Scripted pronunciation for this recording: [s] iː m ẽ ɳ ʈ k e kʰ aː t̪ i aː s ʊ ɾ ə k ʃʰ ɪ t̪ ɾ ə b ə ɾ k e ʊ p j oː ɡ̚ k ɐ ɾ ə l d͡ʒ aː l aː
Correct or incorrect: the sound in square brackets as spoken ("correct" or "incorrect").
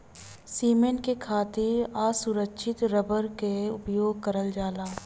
correct